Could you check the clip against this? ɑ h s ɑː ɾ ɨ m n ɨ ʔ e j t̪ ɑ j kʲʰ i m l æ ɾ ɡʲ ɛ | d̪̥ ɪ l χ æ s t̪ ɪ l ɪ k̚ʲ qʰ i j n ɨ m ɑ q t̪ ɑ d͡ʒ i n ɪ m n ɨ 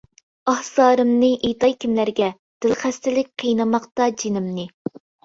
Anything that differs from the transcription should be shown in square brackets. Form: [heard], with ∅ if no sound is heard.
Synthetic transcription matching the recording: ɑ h s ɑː ɾ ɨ m n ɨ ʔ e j t̪ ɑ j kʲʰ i m l æ ɾ ɡʲ ɛ | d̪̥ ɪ l χ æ s t̪ ɪ l ɪ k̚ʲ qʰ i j n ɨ m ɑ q t̪ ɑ d͡ʒ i n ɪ m n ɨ